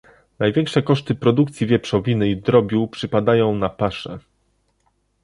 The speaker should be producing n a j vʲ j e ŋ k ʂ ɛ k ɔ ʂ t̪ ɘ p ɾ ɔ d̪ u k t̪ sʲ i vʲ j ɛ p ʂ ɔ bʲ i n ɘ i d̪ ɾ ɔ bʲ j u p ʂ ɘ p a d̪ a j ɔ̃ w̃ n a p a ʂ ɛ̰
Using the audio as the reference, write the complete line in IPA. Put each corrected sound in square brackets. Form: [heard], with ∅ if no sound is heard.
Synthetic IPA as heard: n a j vʲ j [ɛ] ŋ k ʂ ɛ k ɔ ʂ t̪ ɘ p ɾ ɔ d̪ u k t̪ sʲ i vʲ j ɛ p ʂ ɔ [vʲ] i n ɘ i d̪ ɾ ɔ bʲ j u p ʂ ɘ p a d̪ a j ɔ̃ w̃ n a p a ʂ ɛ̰